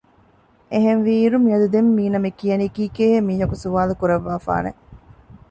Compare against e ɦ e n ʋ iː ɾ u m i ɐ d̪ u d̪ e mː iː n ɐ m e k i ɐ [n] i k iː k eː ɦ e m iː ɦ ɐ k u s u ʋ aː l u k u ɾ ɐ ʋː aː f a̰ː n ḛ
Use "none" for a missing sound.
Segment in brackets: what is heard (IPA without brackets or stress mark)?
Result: n